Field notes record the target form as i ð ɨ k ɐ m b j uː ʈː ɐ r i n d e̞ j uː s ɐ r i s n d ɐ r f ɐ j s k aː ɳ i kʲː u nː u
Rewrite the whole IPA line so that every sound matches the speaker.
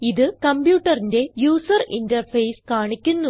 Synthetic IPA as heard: i ð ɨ k ɐ m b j uː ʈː ɐ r i n d e̞ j uː s ɐ r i n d ɐ r f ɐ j s k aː ɳ i kʲː u nː u